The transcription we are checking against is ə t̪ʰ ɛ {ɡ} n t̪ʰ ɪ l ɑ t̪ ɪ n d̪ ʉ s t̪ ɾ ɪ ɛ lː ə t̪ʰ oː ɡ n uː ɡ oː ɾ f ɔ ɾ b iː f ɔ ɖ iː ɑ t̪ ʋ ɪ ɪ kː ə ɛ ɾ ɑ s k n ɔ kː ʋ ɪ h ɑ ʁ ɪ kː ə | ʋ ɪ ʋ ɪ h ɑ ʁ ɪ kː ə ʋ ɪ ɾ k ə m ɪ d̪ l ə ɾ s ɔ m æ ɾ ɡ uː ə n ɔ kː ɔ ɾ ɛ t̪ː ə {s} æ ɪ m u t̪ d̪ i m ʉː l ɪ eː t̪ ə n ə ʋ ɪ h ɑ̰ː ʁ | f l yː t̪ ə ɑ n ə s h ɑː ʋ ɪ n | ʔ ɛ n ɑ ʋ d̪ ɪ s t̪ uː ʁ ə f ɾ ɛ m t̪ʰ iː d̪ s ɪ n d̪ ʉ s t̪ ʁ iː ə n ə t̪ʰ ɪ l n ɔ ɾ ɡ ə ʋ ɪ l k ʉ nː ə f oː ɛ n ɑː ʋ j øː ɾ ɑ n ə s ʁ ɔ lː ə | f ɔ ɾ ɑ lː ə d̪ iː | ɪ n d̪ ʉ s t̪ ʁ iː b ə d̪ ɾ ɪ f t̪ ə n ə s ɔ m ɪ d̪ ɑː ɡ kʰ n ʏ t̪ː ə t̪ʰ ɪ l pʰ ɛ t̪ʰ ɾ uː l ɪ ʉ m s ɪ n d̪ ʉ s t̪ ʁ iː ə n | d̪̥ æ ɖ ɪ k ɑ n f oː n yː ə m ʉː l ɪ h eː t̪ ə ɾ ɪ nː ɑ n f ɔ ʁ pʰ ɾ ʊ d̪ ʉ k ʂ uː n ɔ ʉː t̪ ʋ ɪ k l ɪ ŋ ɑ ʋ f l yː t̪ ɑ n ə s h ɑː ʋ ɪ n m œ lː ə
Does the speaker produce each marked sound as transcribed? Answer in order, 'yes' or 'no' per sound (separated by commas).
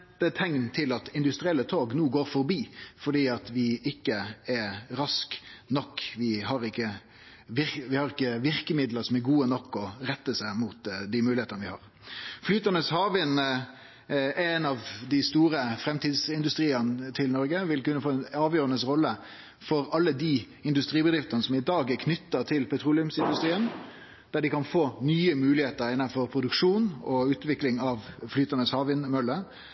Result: no, yes